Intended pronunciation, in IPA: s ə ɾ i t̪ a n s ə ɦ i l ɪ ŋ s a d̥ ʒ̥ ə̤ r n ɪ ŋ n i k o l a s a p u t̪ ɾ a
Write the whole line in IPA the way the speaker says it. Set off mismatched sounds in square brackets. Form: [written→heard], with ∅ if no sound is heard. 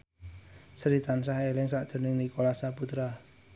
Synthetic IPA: s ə ɾ i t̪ a n s [ə→a] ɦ [i→e] l ɪ ŋ s a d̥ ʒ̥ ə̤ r n ɪ ŋ n i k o l a s a p u t̪ ɾ a